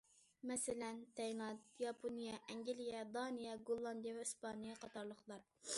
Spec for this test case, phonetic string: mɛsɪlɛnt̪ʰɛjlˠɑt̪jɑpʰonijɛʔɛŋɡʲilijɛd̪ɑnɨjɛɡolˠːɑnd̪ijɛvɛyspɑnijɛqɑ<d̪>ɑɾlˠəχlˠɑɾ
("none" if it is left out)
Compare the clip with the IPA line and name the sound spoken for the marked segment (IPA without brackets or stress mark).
t̪